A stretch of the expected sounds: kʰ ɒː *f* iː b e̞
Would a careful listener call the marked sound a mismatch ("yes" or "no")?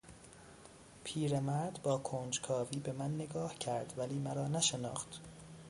yes